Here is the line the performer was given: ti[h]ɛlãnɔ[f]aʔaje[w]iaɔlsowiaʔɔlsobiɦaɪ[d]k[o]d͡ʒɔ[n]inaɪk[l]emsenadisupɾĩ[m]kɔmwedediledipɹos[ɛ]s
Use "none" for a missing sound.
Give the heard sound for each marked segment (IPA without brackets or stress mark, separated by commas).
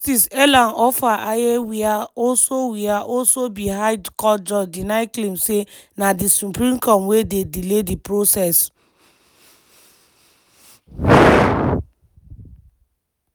s, f, w, d, ɔ, d, l, m, ɛ